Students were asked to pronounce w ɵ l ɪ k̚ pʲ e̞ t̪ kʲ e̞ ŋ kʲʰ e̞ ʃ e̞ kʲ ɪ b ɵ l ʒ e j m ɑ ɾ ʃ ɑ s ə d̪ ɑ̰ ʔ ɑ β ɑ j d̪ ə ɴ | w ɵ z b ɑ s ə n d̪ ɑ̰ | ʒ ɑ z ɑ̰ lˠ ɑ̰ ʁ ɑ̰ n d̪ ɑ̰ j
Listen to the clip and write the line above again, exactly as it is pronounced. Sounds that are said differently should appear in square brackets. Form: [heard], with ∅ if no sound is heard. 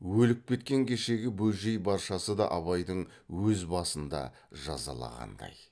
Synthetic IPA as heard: w ɵ l ɪ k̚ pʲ e̞ t̪ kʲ e̞ ŋ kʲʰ e̞ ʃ e̞ [ɡʲ] ɪ b ɵ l ʒ e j [b] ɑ ɾ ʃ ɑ s ə d̪ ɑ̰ ʔ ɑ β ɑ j d̪ ə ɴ | w ɵ z b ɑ s ə n d̪ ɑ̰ | ʒ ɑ z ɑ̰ lˠ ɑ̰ ʁ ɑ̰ n d̪ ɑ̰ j